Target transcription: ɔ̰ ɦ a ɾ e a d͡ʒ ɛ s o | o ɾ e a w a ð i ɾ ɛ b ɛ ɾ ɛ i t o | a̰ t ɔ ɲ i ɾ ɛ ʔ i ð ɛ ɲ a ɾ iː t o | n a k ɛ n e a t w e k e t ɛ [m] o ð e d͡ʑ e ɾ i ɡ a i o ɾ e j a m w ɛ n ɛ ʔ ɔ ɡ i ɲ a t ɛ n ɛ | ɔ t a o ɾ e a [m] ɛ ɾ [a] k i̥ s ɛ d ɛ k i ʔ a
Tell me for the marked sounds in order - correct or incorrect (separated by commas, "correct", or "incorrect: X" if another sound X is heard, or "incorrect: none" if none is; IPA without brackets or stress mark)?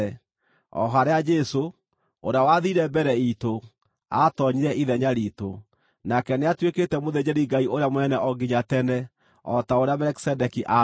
correct, correct, incorrect: ɛ